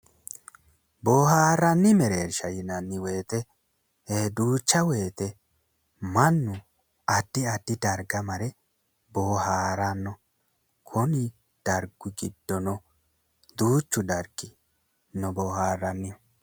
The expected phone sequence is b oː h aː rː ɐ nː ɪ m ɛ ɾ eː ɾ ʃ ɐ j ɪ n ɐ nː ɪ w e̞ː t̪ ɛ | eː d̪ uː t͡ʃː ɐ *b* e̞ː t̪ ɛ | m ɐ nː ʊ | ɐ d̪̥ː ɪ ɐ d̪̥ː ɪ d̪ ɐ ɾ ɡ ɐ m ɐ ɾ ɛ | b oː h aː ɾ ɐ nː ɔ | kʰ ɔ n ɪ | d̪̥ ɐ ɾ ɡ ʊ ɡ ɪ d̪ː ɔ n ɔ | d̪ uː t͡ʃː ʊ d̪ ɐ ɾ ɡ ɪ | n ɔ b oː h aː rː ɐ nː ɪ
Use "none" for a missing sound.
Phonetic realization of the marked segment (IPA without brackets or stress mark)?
w